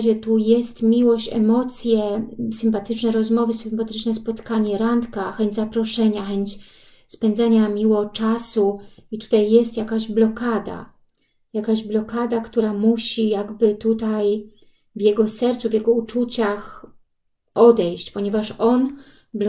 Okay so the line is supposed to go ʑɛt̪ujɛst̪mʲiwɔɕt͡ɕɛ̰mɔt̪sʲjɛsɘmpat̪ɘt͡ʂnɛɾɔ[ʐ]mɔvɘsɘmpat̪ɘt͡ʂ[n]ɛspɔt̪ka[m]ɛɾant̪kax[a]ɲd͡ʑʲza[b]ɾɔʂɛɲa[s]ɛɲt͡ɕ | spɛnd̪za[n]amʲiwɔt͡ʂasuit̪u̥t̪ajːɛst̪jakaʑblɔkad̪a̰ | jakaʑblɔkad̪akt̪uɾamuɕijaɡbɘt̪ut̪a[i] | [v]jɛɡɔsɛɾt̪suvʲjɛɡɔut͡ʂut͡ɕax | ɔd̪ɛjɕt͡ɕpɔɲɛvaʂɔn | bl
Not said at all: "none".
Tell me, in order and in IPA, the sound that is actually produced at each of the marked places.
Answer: z, n, ɲ, ɛ, p, x, ɲ, j, v

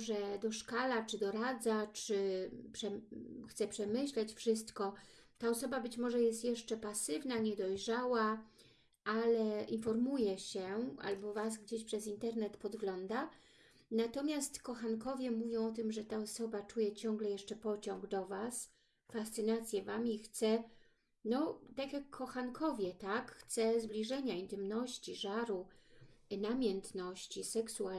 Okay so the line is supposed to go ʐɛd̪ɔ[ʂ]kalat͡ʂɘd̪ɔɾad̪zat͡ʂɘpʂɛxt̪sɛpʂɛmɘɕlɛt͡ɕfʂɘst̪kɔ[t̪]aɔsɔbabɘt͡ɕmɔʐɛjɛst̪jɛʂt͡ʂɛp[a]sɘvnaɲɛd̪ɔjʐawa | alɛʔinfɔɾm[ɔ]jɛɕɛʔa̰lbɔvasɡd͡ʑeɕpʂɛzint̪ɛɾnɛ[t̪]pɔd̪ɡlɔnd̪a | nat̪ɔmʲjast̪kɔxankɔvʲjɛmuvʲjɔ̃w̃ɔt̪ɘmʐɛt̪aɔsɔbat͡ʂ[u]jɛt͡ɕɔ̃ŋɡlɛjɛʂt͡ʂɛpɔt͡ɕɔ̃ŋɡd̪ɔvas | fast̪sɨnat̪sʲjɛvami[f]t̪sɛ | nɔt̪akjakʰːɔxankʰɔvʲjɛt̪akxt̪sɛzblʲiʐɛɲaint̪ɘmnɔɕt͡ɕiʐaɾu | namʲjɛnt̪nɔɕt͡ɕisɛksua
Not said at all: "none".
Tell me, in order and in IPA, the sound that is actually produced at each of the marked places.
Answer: ʂ, t̪, a, u, t̪, u, x

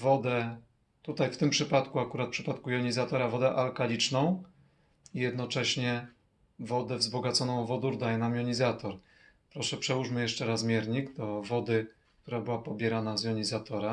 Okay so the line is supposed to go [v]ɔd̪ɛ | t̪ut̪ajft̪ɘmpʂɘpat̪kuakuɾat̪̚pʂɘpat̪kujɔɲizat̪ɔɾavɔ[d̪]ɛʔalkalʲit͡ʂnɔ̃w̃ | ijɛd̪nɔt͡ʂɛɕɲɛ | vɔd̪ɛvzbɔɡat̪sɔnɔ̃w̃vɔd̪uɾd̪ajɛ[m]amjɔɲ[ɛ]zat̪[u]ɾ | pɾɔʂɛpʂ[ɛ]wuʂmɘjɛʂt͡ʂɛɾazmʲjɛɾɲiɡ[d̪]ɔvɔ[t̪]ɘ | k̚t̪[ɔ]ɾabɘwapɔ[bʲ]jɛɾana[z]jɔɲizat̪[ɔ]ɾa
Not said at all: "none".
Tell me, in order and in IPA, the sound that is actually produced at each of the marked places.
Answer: v, d̪, n, i, ɔ, ɛ, d̪, d̪, u, bʲ, z, ɔ

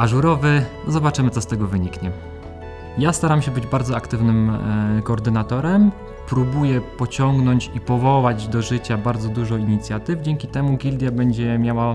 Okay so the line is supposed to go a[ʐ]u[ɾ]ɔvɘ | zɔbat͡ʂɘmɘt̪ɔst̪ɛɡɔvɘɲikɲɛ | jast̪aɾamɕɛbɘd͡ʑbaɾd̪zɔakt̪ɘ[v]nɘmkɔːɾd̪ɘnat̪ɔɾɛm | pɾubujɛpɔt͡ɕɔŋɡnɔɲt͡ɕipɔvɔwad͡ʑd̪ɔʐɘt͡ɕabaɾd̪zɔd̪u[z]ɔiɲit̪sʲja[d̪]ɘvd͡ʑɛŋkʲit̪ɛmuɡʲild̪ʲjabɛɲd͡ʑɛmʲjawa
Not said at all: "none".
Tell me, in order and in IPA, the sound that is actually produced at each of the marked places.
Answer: ʐ, ɾ, v, ʐ, t̪

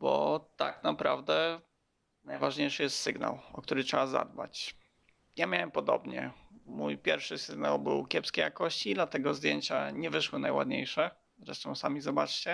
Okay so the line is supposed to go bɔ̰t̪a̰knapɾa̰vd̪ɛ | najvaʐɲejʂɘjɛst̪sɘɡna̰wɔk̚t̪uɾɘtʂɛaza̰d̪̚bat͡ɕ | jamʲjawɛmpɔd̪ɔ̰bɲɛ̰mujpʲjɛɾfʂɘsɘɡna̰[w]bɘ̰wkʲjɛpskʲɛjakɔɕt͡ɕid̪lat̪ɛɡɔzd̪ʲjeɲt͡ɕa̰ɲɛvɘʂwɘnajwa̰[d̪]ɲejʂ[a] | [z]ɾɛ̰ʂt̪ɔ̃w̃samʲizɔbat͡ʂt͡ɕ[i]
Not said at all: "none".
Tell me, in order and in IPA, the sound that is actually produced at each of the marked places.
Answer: w, d̪, ɛ, z, ɛ

